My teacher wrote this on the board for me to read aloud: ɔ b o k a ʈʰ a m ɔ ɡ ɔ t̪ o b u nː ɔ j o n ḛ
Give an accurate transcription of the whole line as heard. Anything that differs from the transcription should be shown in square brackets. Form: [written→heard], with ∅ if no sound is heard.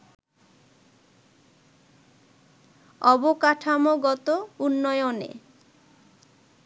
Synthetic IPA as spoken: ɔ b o k a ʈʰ a m [ɔ→o] ɡ ɔ t̪ o [b→∅] u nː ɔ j o n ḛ